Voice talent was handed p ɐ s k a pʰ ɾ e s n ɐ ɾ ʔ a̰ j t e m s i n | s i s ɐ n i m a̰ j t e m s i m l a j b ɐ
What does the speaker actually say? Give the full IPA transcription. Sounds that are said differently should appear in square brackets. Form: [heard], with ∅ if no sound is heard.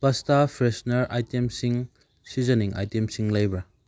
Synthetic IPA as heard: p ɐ s [t] a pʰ ɾ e s n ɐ ɾ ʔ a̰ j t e m s i [ŋ] | s i [z] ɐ n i [ŋ] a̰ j t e m s i [ŋ] l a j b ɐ